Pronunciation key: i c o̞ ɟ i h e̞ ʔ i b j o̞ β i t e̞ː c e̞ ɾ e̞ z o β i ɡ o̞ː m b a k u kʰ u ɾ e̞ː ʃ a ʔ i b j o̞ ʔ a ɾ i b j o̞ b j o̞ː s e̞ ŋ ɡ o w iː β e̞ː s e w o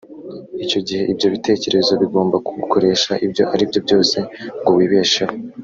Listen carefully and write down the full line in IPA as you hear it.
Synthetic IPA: i c o̞ ɟ i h e̞ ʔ i b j o̞ β i t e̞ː c e̞ ɾ e̞ z o β i ɡ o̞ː m b a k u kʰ o ɾ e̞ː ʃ a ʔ i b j o̞ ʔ a ɾ i b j o̞ b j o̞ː s e̞ ŋ ɡ o w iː β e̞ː ʃ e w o